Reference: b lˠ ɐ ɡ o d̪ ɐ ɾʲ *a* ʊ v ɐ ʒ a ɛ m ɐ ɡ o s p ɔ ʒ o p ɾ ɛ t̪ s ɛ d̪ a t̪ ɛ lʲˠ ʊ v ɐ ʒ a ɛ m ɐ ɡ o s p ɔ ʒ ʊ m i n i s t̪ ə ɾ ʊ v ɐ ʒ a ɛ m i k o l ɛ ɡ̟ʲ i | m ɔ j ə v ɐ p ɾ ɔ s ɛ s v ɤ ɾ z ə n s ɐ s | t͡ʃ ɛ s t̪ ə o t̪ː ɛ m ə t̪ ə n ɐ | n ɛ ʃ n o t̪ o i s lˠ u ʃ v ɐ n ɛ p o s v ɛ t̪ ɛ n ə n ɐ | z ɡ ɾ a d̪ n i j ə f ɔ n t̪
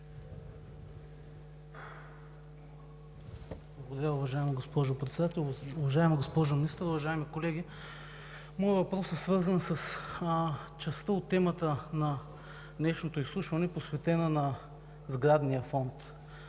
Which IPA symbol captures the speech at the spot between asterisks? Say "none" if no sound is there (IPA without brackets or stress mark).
a